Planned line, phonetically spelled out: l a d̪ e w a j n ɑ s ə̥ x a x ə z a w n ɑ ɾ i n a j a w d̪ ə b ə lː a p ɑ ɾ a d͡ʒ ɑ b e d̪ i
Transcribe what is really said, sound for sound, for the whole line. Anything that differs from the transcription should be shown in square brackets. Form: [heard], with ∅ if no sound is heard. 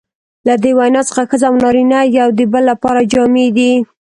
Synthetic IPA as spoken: l a d̪ e w a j n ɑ [t͡s] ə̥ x a x ə z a w n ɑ ɾ i n a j a w d̪ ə b ə lː a p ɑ ɾ a d͡ʒ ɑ [m] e d̪ i